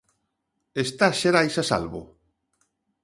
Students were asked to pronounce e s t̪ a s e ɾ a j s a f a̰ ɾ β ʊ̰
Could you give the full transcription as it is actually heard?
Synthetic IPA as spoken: e s t̪ a ʃ e ɾ a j s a s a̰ l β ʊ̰